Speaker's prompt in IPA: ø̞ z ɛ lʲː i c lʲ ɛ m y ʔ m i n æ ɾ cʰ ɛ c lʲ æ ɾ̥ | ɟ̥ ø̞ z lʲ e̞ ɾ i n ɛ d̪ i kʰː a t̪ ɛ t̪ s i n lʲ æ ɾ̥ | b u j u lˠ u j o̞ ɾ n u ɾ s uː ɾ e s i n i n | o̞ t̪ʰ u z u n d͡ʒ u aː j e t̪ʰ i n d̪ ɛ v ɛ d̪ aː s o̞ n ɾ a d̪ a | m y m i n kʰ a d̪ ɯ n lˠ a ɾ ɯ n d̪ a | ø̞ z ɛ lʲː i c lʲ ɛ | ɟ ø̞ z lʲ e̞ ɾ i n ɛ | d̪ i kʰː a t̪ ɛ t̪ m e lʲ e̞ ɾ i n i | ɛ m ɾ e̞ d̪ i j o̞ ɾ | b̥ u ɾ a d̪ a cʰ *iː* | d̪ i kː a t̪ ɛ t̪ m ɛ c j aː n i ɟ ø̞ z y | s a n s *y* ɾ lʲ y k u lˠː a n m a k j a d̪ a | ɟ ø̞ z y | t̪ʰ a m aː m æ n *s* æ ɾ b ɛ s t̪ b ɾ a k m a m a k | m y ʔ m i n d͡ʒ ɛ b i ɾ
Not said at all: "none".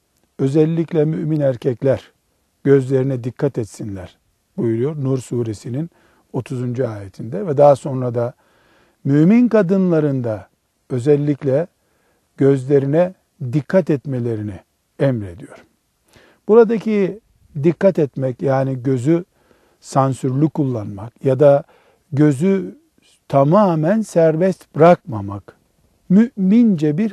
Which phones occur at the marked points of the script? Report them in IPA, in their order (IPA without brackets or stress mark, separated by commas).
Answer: i, y, s